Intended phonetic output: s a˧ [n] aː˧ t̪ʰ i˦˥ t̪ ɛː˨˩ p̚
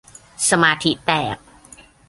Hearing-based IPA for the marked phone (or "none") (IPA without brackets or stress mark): m